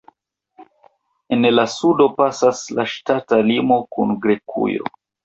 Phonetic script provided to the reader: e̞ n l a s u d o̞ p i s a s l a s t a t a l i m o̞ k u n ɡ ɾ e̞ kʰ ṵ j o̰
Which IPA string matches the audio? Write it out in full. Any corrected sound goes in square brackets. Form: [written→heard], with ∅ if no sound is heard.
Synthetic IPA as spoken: e̞ n l a s u d o̞ p [i→a] s a s l a [s→ʃ] t a t a l i m o̞ k u n ɡ ɾ e̞ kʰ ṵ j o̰